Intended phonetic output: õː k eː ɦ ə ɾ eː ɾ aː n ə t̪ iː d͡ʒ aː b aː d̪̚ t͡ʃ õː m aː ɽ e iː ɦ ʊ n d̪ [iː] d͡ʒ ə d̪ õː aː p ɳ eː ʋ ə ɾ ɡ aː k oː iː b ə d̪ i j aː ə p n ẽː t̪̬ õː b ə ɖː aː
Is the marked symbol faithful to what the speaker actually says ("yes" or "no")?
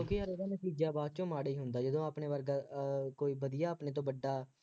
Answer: no